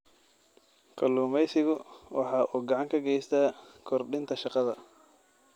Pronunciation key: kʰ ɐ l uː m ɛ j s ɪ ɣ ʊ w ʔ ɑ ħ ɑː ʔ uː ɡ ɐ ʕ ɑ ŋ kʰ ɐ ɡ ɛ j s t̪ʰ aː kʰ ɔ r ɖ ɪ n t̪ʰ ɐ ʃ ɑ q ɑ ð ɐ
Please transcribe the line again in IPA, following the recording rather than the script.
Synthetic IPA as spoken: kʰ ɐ l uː m ɛ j s ɪ ɣ ʊ w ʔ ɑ ħ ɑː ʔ uː ɡ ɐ ʕ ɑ ŋ kʰ ɐ ɡ ɛ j s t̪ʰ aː kʰ ɔ r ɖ ɪ n t̪ʰ ɐ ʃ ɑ q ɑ ð ɐ